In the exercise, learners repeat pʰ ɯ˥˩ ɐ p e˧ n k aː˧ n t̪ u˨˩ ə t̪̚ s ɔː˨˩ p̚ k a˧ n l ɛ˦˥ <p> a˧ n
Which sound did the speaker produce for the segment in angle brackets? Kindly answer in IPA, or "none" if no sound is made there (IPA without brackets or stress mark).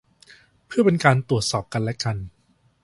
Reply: k